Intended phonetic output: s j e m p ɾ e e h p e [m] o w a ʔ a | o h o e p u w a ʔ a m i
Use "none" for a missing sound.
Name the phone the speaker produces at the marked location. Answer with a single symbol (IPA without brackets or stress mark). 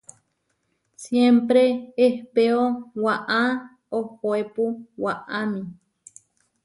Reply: none